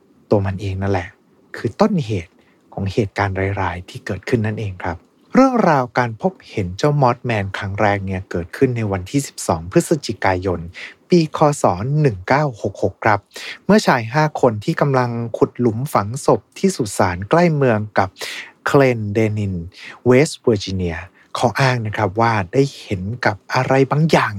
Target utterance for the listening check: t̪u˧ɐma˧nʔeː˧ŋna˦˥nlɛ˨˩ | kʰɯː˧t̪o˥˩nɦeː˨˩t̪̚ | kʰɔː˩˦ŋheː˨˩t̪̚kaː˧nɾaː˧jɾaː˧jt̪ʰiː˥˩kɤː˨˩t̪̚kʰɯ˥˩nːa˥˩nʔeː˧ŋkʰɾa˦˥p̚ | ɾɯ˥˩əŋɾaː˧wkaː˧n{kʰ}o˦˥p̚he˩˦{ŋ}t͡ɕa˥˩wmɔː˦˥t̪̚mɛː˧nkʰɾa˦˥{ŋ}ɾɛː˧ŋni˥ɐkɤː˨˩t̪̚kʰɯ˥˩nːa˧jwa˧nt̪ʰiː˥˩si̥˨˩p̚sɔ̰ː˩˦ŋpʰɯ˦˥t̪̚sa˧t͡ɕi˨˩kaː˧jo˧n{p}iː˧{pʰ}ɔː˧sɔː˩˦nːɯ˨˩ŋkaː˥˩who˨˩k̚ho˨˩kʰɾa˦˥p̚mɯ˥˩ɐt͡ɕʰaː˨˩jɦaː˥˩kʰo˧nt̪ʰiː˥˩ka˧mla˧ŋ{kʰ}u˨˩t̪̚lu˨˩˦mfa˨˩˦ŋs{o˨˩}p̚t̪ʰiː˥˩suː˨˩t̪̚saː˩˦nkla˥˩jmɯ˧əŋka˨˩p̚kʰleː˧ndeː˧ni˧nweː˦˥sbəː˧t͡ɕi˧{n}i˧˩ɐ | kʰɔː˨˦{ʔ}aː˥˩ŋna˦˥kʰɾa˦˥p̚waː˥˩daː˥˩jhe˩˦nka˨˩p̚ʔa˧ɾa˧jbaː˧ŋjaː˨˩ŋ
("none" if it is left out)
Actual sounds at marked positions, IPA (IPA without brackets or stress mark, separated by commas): pʰ, n, ŋ, p, kʰ, kʰ, o˨˩, n, ʔ